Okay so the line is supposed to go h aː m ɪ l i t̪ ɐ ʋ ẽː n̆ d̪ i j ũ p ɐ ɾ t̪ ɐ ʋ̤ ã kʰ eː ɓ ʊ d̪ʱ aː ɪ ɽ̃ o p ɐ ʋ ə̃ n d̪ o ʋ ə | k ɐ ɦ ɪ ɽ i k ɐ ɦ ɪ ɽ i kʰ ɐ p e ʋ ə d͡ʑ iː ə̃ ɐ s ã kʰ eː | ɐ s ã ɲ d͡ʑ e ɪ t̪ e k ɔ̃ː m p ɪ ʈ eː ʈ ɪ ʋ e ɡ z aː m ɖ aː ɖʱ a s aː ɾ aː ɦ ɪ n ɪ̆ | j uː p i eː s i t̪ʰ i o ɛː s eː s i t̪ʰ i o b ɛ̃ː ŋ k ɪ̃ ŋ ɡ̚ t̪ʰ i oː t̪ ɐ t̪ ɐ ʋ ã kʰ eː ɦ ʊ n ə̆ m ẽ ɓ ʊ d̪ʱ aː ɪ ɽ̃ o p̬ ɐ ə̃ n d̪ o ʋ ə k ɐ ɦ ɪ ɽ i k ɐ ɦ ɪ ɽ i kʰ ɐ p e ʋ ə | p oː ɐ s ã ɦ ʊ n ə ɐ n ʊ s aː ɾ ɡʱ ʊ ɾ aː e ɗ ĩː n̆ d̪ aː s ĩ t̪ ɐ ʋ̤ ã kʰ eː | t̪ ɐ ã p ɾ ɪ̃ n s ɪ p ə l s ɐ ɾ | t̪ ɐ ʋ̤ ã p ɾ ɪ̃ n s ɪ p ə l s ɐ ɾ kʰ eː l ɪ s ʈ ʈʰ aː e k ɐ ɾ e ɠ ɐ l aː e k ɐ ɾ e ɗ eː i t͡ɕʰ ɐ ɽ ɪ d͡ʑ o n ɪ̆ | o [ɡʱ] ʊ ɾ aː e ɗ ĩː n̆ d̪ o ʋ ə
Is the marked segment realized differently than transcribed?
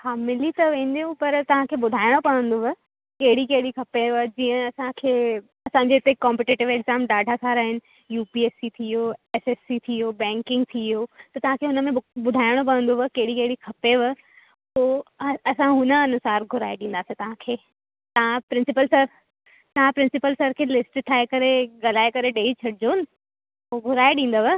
no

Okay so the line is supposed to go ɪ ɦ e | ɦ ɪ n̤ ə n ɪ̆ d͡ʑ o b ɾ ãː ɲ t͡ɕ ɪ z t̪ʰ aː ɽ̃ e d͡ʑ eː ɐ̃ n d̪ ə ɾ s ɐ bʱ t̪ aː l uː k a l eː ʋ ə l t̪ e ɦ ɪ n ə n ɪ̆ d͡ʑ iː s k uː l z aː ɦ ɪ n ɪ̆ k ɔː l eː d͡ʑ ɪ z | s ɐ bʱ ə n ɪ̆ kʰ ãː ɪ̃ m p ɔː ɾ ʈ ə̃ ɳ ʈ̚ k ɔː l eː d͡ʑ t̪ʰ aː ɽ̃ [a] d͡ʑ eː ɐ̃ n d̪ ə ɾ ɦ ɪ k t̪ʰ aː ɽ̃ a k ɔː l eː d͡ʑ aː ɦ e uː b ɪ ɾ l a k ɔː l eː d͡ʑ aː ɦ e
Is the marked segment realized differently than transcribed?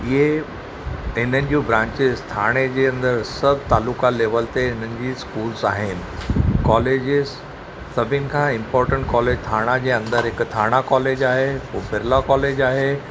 no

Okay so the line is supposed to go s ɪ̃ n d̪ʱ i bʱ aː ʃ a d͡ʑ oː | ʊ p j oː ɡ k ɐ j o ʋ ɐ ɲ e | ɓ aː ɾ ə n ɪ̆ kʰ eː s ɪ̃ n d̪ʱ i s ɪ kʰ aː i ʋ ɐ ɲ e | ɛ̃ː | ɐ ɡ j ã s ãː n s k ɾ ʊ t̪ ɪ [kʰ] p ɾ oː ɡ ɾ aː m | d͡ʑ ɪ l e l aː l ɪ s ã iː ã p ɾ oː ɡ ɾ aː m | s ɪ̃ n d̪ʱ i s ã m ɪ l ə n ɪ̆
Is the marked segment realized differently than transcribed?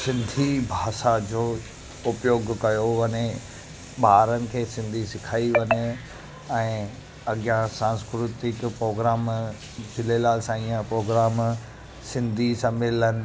yes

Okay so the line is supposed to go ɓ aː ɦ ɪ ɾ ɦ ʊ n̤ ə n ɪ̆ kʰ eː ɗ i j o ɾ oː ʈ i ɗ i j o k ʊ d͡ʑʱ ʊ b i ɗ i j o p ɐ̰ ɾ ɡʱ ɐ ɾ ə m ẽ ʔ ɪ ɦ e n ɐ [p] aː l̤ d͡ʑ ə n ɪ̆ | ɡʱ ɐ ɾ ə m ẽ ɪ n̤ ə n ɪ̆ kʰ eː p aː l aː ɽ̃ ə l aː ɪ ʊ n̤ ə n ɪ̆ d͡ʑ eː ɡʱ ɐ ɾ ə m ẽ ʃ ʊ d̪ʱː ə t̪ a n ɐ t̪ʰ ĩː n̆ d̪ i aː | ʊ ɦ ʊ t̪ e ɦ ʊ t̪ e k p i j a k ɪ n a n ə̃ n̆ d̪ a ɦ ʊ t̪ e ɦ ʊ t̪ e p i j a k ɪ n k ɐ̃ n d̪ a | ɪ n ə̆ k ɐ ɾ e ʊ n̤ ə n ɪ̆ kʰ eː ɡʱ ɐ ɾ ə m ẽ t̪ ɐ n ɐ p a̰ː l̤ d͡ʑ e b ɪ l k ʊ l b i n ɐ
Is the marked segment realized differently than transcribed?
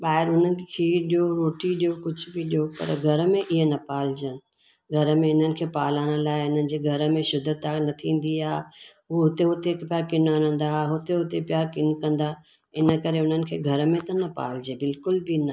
no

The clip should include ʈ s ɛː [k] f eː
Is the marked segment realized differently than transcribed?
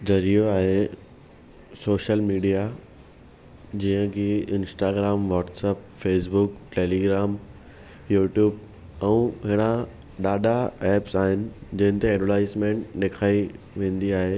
yes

